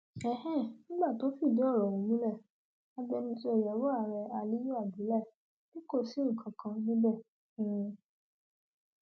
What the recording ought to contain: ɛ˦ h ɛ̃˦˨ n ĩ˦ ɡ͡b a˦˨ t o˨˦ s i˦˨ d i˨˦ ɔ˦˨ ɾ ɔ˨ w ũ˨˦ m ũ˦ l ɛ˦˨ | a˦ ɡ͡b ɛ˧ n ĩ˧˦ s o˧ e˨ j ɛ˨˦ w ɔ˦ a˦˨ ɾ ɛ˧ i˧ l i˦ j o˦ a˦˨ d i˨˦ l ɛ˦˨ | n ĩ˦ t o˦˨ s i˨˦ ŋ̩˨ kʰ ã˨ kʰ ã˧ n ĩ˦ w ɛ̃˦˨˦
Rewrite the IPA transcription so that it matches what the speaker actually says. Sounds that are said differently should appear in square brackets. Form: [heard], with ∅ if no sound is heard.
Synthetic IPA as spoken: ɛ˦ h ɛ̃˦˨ n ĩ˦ ɡ͡b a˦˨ t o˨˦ [f] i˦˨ d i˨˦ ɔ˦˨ ɾ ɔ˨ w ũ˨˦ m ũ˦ l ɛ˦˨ | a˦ ɡ͡b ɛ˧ n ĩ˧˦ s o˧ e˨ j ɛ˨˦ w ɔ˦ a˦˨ ɾ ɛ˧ [a˧] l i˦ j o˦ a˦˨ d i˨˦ l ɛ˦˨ | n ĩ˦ [k] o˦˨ s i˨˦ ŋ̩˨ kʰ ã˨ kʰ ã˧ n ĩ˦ [b] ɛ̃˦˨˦